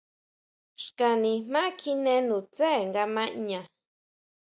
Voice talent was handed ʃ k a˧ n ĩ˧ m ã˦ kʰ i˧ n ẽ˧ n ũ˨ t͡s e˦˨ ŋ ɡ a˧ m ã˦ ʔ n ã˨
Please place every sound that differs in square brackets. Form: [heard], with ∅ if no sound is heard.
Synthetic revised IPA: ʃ k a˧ n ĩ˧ m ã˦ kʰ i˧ n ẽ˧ n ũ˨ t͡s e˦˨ ŋ ɡ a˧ m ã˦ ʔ [ɲ] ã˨